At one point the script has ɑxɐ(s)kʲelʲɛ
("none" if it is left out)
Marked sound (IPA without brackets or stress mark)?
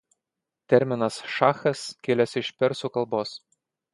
s